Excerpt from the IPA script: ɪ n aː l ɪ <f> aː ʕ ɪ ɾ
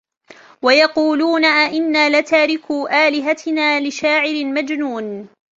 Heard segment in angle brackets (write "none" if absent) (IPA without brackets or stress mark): ʃ